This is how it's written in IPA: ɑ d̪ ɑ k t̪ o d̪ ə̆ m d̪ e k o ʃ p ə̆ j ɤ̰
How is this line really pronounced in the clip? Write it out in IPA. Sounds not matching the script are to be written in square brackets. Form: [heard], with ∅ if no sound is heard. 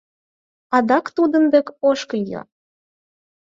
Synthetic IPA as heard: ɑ d̪ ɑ k t̪ [u] d̪ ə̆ [n] d̪ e k o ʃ [k] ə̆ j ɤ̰